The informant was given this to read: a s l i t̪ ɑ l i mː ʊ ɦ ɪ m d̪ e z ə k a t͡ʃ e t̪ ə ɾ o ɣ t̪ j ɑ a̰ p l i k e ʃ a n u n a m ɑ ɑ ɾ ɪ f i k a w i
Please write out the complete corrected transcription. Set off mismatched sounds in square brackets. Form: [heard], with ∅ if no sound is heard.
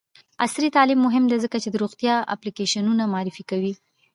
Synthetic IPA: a s [ɾ] i t̪ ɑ l i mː ʊ ɦ ɪ m d̪ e z ə k a t͡ʃ e [d̪] ə ɾ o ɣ t̪ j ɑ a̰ p l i k e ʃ a n u n a m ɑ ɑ ɾ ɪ f i k a w i